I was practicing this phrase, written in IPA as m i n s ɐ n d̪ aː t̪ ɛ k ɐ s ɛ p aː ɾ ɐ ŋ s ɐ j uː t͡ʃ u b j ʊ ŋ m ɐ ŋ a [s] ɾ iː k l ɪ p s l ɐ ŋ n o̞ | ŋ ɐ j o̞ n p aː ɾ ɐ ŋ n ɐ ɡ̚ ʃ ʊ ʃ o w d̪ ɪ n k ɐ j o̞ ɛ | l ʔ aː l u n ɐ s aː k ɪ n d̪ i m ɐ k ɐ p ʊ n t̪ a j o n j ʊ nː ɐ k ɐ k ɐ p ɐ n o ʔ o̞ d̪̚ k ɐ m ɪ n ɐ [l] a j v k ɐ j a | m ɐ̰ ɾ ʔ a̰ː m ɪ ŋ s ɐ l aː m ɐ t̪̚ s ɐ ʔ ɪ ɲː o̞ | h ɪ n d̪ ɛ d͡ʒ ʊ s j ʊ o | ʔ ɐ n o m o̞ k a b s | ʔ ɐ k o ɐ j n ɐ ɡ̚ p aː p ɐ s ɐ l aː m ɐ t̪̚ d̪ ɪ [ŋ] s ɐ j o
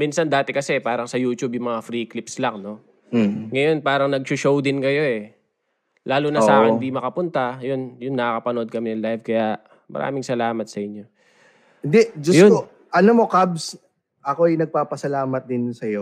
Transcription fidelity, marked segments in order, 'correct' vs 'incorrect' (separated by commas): incorrect, correct, incorrect